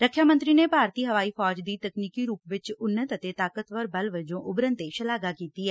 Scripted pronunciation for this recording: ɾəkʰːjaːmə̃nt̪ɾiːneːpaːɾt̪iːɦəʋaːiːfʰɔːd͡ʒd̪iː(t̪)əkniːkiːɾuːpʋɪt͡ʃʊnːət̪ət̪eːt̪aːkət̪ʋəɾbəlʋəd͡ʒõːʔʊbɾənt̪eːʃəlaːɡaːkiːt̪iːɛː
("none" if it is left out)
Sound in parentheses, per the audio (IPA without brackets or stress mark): t̪